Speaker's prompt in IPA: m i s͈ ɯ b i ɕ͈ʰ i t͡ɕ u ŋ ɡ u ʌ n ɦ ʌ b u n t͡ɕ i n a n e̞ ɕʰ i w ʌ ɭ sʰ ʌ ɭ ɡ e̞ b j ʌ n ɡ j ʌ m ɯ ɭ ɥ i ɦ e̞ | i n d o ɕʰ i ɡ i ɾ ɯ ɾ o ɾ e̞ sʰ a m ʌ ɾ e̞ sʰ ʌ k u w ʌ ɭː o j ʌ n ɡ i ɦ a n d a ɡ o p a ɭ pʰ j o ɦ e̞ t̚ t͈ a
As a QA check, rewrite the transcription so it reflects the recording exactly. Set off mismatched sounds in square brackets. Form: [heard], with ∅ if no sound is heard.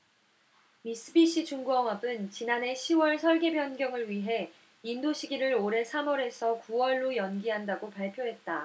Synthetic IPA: m i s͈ ɯ b i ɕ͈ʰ i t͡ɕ u ŋ ɡ u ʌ [ŋ] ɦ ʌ b [ɯ] n t͡ɕ i n a n e̞ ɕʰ i w ʌ ɭ sʰ ʌ ɭ ɡ e̞ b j ʌ n ɡ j ʌ [ŋ] ɯ ɭ ɥ i ɦ e̞ | i n d o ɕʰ i ɡ i ɾ ɯ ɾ o ɾ e̞ sʰ a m ʌ ɾ e̞ sʰ ʌ k u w ʌ ɭː o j ʌ n ɡ i ɦ a n d a ɡ o p a ɭ pʰ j o ɦ e̞ t̚ t͈ a